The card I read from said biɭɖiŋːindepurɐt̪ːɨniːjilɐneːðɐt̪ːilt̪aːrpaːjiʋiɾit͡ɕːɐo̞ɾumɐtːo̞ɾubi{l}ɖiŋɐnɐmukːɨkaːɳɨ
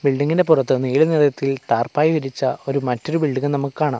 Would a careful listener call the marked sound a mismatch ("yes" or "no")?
yes